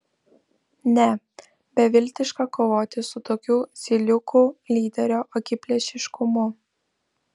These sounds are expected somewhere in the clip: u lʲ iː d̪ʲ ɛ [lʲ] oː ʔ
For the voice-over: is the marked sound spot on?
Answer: no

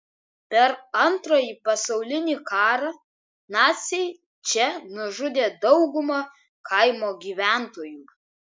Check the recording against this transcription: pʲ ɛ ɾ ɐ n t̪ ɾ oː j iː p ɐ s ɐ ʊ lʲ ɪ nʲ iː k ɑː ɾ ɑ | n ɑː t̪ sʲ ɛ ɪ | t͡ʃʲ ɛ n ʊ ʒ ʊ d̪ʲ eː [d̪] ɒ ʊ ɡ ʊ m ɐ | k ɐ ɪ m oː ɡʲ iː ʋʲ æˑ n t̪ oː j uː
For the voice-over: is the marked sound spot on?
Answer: yes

